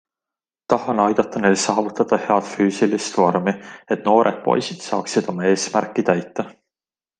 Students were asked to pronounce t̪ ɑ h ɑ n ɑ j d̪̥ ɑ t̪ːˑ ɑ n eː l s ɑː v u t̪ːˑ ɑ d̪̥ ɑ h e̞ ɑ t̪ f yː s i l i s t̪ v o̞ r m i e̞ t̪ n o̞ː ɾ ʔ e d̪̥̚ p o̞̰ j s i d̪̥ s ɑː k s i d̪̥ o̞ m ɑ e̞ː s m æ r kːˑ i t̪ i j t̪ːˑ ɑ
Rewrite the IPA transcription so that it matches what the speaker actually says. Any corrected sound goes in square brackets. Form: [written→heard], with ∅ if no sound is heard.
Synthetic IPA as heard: t̪ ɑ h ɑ n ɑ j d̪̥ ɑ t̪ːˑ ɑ n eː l s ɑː v u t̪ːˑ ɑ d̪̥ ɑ h e̞ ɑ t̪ f yː s i l i s t̪ v o̞ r m i e̞ t̪ n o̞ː ɾ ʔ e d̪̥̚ p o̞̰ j s i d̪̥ s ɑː k s i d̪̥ o̞ m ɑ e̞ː s m æ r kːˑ i t̪ [i→æ] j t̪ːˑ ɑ